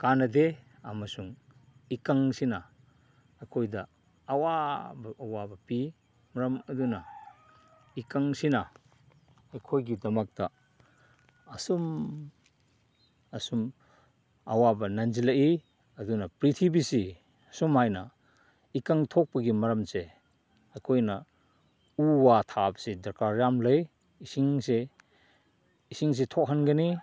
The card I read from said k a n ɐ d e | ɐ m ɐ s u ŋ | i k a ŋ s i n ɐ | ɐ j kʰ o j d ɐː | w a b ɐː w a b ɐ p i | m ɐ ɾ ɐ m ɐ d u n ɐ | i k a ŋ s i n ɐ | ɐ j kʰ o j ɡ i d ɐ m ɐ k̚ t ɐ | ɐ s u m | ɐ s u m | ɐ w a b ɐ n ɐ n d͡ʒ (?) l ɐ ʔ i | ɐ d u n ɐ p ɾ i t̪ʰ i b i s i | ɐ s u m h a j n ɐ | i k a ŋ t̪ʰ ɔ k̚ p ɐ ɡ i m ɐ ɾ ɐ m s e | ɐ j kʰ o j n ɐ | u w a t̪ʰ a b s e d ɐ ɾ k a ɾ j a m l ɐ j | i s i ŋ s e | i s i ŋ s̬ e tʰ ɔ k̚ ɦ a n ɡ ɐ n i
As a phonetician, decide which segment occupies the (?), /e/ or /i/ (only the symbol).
i